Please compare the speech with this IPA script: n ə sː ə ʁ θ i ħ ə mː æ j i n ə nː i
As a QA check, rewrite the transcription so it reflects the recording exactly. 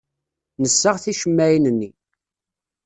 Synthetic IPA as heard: n ə sː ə ʁ θ i ʃ ə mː æ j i n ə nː i